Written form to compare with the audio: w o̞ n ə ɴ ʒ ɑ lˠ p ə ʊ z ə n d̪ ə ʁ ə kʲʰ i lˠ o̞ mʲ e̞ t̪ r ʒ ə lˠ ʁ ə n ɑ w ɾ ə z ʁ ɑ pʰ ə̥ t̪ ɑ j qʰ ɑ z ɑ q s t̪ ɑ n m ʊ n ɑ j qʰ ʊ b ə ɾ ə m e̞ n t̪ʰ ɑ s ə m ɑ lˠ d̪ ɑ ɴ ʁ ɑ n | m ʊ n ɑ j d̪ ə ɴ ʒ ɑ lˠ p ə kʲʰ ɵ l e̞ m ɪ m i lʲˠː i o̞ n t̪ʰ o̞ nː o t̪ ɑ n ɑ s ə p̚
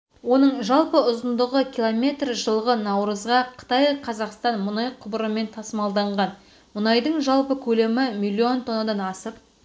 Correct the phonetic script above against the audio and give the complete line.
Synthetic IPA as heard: w o̞ n ə ɴ ʒ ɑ lˠ p ə ʊ z ə n d̪ ə ʁ ə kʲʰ i lˠ o̞ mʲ e̞ t̪ r ʒ ə lˠ ʁ ə n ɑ w ɾ ə z ʁ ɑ qʰ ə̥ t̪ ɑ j qʰ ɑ z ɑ q s t̪ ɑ n m ʊ n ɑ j qʰ ʊ b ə ɾ ə m e̞ n t̪ʰ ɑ s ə m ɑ lˠ d̪ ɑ ɴ ʁ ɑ n | m ʊ n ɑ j d̪ ə ɴ ʒ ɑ lˠ p ə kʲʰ ɵ l e̞ m ɪ m i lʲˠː i o̞ n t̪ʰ o̞ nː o d̪ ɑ n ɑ s ə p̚

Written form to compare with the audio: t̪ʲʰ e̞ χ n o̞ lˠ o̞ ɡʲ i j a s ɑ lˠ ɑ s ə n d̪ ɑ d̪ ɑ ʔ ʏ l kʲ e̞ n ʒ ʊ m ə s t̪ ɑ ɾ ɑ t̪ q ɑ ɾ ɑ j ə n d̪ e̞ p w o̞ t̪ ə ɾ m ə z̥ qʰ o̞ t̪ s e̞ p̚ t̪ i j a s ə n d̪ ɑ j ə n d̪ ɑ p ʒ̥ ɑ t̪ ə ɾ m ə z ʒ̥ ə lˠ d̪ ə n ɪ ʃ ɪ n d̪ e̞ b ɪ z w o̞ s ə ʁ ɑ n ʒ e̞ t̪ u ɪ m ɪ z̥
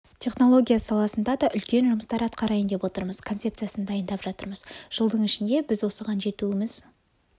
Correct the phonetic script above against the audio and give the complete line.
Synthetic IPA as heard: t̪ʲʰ e̞ χ n o̞ lˠ o̞ ɡʲ i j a s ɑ lˠ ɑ s ə n d̪ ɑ d̪ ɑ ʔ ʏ l kʲ e̞ n ʒ ʊ m ə s t̪ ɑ ɾ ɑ t̪ q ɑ ɾ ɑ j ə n d̪ e̞ p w o̞ t̪ ə ɾ m ə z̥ kʰ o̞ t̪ s e̞ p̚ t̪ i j a s ə n d̪ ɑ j ə n d̪ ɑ p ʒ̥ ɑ t̪ ə ɾ m ə z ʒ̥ ə lˠ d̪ ə ɴ ɪ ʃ ɪ n d̪ e̞ b ɪ z w o̞ s ə ʁ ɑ n ʒ e̞ t̪ u ɪ m ɪ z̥

